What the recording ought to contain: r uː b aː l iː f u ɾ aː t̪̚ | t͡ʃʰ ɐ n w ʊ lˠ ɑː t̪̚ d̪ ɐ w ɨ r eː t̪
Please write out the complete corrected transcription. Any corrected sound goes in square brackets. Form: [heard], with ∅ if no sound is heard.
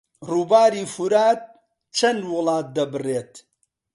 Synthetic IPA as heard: r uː b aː [ɾ] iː f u ɾ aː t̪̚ | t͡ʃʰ ɐ n w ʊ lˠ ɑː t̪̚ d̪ ɐ [b] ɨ r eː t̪